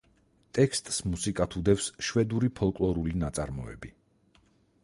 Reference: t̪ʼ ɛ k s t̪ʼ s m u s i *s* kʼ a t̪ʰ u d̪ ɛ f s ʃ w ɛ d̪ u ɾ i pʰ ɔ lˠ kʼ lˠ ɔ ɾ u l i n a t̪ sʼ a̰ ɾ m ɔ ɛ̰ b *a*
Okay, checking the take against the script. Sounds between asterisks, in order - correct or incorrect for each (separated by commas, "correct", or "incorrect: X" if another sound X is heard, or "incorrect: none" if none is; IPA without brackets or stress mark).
incorrect: none, incorrect: i